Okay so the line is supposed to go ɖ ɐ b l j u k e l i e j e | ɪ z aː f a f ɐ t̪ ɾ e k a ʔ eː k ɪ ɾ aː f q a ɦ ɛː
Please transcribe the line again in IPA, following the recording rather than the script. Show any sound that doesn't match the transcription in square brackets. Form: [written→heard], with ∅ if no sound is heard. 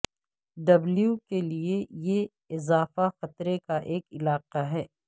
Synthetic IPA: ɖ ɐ b l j u k e l i e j e | ɪ z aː f a [f→x] ɐ t̪ ɾ e k a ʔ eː k ɪ [ɾ→l] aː [f→∅] q a ɦ ɛː